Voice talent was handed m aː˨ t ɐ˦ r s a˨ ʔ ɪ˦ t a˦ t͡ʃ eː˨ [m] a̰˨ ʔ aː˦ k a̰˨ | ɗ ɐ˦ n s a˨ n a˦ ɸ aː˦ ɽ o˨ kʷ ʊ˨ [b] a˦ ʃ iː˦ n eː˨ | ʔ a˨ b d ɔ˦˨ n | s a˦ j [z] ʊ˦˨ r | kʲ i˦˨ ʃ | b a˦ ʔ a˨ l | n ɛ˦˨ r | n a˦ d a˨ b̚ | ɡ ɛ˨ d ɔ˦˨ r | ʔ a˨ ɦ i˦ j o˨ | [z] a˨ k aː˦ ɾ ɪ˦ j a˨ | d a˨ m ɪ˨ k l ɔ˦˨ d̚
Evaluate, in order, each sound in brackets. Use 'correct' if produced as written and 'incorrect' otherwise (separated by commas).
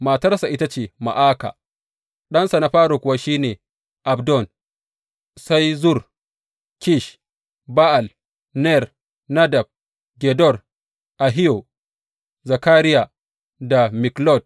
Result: correct, incorrect, correct, correct